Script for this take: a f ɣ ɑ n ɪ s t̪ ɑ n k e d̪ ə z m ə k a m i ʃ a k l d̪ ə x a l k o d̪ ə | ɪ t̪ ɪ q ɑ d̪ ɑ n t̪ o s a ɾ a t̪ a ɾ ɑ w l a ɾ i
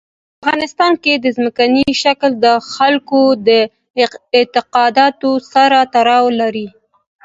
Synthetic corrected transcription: a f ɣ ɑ n ɪ s t̪ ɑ n k e d̪ ə z m ə k a n i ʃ a k l d̪ ə x a l k o d̪ ə | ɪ t̪ ɪ q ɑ d̪ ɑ t̪ o s a ɾ a t̪ a ɾ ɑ w l a ɾ i